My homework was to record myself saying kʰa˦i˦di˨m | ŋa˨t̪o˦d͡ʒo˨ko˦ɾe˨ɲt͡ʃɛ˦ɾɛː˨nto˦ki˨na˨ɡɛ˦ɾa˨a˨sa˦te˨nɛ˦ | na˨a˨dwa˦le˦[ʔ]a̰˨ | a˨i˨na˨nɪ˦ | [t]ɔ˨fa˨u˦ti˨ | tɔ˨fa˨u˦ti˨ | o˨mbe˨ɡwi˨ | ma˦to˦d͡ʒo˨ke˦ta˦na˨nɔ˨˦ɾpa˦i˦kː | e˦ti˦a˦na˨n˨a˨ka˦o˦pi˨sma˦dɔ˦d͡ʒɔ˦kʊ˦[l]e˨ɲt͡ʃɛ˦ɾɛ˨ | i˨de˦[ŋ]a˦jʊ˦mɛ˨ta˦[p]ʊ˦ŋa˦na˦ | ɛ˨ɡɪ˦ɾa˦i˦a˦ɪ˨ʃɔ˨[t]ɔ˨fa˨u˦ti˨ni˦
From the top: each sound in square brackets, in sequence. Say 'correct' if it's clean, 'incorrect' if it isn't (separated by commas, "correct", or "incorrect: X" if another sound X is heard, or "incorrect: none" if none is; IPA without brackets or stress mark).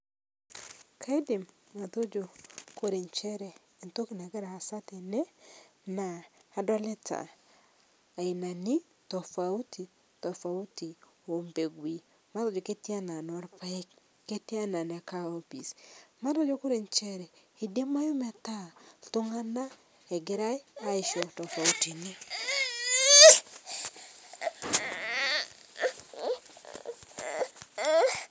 incorrect: t, correct, incorrect: ɾ, incorrect: m, incorrect: t, correct